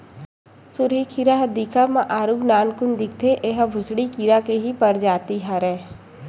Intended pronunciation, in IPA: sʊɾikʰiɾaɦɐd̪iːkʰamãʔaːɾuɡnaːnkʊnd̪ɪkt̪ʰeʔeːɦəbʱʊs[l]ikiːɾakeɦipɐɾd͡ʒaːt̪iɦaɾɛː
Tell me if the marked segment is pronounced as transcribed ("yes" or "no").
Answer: no